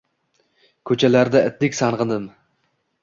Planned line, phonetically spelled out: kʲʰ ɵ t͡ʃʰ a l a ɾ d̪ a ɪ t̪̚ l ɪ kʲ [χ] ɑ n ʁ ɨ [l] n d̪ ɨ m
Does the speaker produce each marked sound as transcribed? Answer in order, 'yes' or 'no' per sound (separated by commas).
no, no